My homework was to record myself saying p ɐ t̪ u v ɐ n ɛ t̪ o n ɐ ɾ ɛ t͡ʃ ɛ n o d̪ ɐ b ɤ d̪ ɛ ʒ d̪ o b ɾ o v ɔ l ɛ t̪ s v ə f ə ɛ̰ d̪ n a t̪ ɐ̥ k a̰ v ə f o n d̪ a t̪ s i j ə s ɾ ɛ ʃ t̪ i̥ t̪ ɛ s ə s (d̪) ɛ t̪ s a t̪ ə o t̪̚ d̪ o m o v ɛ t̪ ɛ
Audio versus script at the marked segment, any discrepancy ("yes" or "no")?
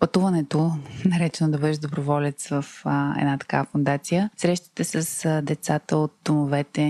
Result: no